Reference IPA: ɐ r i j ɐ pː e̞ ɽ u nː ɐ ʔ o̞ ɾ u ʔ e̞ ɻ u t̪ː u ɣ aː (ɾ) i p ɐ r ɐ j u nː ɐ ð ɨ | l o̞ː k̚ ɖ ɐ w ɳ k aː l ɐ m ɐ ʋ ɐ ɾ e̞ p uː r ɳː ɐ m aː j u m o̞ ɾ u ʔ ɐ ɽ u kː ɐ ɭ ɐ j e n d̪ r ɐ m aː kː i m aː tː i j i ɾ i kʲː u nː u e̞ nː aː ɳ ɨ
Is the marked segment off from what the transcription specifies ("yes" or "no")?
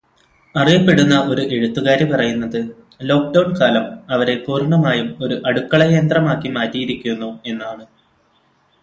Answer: no